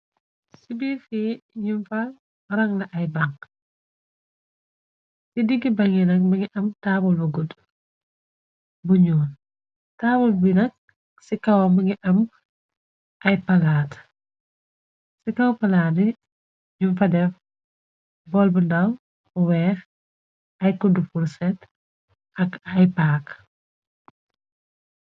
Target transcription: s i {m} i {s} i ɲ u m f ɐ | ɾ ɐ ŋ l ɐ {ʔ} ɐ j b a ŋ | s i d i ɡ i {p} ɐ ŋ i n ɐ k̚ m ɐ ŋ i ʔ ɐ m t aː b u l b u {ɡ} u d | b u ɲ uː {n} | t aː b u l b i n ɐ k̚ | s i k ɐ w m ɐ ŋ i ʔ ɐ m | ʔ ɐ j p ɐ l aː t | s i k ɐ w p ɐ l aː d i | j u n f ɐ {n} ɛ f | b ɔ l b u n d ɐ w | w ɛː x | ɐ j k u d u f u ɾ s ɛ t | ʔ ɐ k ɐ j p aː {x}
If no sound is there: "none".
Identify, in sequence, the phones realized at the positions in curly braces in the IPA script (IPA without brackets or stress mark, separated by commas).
b, f, ʔ, b, ɡ, n, d, k